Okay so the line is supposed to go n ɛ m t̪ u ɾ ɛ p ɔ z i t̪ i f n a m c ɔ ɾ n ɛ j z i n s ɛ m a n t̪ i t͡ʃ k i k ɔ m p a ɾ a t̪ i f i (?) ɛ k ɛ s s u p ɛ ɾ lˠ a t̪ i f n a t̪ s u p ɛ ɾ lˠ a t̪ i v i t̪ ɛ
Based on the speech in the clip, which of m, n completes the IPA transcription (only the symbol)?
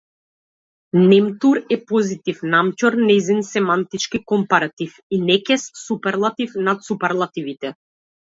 n